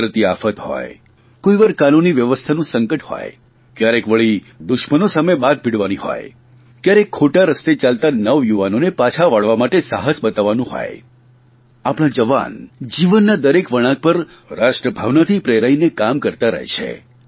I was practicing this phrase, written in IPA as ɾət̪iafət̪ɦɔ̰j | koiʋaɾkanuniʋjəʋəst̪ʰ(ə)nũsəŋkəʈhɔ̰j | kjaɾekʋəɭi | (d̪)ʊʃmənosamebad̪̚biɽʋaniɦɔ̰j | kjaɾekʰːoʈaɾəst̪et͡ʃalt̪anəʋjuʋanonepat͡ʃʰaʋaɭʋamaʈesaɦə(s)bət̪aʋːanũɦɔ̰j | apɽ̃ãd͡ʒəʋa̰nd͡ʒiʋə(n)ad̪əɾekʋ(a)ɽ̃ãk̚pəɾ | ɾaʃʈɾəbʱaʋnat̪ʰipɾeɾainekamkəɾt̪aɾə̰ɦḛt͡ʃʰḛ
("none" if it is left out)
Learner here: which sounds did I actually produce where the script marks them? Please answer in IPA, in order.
a, d̪, s, nː, ə

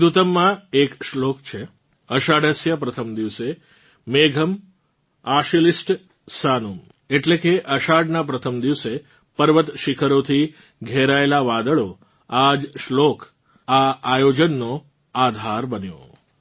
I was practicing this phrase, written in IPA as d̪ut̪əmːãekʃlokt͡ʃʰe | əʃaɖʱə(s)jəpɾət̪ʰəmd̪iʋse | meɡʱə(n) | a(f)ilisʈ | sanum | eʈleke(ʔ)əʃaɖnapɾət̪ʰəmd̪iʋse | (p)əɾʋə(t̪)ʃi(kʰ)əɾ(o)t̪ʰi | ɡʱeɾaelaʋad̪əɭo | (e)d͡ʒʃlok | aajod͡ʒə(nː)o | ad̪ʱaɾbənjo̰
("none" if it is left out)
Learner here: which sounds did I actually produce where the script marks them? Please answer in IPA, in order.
s, m, ʃ, ʔ, p, t̪, kʰ, o, a, nː

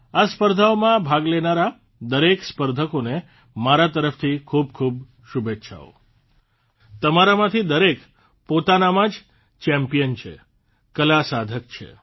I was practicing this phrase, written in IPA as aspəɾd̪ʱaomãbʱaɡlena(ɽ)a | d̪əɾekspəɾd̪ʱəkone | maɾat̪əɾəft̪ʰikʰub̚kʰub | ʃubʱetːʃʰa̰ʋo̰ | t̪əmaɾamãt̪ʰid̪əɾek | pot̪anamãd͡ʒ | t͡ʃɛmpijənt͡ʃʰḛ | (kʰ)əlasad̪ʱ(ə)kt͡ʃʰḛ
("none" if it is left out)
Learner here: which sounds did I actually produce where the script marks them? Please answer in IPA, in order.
ɾ, k, ə

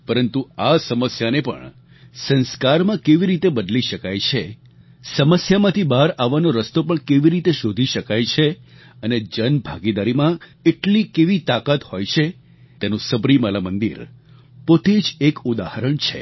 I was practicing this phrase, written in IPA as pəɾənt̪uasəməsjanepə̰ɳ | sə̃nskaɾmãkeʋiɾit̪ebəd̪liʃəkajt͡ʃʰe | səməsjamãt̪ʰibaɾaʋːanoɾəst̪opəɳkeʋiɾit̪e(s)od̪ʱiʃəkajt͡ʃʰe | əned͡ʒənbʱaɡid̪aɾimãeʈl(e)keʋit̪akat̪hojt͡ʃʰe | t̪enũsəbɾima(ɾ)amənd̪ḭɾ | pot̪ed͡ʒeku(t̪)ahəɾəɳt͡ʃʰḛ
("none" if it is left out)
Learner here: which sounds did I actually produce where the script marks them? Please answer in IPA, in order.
ʃ, i, l, d̪

